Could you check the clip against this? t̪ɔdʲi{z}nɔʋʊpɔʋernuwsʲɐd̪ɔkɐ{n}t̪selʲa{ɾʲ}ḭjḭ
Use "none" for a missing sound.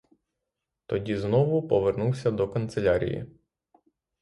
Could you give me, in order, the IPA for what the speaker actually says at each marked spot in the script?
z, n, ɾʲ

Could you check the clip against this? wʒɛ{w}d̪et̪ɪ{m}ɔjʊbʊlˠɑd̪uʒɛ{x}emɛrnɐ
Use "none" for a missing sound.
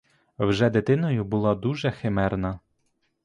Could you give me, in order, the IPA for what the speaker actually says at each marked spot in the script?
none, n, x

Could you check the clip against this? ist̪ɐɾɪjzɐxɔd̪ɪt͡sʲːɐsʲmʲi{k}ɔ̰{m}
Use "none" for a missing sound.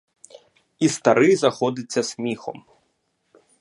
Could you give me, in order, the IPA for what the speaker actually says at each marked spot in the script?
x, m

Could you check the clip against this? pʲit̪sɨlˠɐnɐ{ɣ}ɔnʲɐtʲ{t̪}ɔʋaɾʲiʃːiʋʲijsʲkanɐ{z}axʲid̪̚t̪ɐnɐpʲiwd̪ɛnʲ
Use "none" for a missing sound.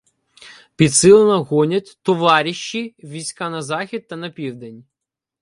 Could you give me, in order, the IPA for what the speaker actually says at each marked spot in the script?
ɣ, t̪, z

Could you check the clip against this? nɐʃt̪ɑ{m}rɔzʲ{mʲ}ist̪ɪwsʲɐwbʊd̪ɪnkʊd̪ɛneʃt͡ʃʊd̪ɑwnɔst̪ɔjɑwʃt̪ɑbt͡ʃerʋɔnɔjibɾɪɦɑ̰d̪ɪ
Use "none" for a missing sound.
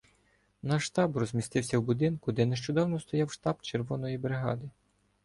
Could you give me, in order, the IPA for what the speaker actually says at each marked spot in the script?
b, mʲ

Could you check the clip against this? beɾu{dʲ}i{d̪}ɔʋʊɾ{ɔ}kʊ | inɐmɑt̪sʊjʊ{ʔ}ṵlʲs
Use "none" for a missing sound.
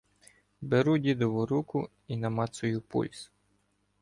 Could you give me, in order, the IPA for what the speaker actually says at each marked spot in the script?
dʲ, d̪, u, p

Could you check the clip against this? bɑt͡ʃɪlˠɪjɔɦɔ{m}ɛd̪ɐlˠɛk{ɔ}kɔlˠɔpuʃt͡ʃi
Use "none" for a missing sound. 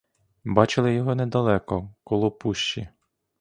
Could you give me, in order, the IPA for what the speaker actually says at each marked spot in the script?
n, ɔ

